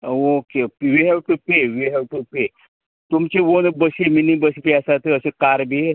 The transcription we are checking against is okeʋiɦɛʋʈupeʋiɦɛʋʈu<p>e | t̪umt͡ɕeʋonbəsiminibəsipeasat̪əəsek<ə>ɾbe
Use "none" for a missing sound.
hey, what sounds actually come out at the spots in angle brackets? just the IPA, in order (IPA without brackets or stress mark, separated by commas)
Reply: p, a